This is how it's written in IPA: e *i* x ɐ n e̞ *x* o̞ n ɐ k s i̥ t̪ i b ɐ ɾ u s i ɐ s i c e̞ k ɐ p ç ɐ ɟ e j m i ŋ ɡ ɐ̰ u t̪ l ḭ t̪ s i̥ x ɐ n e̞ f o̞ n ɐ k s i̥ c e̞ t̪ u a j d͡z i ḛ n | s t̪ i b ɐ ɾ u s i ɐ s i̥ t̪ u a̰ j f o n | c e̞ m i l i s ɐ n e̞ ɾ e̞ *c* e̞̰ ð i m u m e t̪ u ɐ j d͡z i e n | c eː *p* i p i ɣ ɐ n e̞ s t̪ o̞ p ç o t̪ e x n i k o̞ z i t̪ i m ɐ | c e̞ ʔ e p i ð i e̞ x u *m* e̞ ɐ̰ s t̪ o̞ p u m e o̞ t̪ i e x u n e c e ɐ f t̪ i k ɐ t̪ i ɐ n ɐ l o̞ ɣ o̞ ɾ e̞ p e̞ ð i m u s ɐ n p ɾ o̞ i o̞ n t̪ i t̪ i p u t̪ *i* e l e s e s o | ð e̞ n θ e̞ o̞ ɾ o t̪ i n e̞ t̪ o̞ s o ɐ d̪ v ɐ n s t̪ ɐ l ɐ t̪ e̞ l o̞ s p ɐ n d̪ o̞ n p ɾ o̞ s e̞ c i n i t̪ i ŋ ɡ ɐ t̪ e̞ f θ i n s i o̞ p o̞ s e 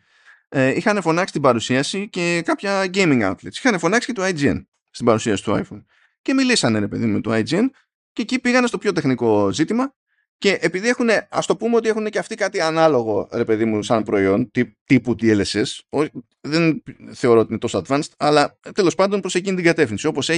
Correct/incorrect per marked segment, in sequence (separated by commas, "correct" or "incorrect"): correct, incorrect, incorrect, incorrect, incorrect, correct